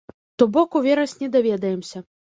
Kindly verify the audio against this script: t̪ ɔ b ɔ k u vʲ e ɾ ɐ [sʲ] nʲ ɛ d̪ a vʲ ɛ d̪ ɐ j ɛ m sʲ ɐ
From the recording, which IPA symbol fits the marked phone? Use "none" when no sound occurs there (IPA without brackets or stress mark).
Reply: sʲ